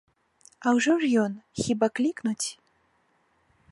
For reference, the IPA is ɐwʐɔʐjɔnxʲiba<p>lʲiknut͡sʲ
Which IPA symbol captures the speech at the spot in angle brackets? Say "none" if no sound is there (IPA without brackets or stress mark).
k